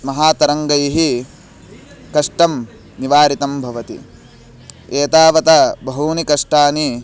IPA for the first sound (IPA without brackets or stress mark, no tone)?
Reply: m